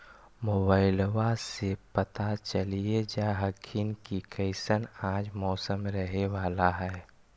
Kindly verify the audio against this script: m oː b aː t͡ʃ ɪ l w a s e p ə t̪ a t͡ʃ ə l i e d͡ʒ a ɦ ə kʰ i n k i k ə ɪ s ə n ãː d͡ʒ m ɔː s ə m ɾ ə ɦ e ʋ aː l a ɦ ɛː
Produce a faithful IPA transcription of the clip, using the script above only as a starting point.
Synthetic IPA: m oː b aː ɪ l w a s e p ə t̪ a t͡ʃ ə l i e d͡ʒ a ɦ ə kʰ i n k i k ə ɪ s ə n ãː d͡ʒ m ɔː s ə m ɾ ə ɦ e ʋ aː l a ɦ ɛː